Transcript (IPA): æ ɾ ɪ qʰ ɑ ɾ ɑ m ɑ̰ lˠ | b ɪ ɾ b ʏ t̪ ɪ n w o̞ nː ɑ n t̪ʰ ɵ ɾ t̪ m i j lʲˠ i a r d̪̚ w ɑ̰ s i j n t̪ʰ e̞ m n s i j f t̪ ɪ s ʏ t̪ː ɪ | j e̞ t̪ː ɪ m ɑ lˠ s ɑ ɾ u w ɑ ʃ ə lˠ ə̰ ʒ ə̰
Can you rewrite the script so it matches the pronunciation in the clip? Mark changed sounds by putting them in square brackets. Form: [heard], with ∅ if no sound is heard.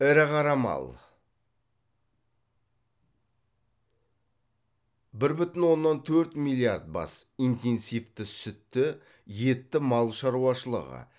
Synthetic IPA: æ ɾ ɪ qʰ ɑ ɾ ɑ m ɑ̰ lˠ | b ɪ ɾ b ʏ t̪ ɪ n w o̞ nː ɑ n t̪ʰ ɵ ɾ t̪ m i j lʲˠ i a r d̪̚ [b] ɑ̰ s i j n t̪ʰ e̞ [∅] n s i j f t̪ ɪ s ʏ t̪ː ɪ | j e̞ t̪ː ɪ m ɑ lˠ [ʃ] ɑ ɾ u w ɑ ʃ ə lˠ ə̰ [ʁ] ə̰